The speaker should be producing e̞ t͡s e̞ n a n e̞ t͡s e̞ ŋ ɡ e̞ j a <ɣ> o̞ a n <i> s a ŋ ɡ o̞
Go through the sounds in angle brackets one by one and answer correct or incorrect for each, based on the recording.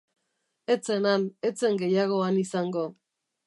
correct, correct

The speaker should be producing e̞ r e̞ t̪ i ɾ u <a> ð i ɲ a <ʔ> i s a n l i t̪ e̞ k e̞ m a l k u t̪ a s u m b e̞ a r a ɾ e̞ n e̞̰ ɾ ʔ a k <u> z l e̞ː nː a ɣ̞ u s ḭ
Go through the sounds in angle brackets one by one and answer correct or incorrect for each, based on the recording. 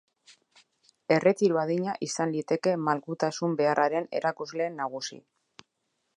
correct, correct, correct

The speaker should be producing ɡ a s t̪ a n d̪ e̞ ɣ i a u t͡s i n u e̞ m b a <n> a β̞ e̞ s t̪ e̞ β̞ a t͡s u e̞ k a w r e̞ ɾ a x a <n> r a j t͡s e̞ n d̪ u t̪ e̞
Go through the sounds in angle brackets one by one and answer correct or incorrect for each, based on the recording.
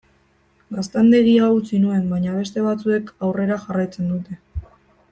incorrect: ɲ, incorrect: none

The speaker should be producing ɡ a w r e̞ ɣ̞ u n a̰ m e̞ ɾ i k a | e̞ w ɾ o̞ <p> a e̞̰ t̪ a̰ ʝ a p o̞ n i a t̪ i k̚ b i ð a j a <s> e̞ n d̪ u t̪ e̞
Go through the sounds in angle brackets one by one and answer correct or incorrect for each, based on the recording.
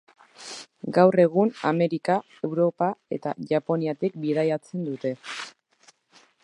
correct, incorrect: t͡s

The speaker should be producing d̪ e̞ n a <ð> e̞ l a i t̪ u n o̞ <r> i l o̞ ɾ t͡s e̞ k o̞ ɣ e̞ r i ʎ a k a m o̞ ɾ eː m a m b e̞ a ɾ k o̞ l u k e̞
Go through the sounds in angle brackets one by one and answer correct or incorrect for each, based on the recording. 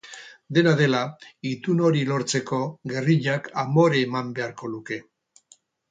correct, incorrect: ɾ

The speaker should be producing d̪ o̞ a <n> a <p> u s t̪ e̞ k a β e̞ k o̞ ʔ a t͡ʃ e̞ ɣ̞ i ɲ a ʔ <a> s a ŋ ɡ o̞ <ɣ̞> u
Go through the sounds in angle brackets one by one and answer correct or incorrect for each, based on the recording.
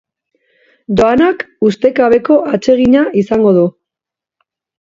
correct, incorrect: k, incorrect: i, incorrect: ð̞

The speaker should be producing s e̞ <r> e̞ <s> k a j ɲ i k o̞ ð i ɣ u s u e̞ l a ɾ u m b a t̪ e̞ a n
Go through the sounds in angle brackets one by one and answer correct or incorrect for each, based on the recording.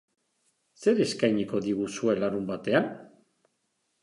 incorrect: ɾ, correct

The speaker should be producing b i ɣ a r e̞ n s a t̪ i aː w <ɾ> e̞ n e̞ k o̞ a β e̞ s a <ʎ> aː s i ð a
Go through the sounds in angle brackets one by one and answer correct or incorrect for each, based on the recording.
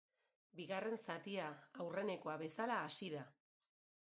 incorrect: r, incorrect: l

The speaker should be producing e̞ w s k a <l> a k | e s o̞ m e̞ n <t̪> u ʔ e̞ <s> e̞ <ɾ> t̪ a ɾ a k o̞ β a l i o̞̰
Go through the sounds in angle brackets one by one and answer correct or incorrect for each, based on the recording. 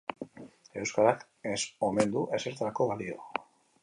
incorrect: ɾ, incorrect: d̪, correct, correct

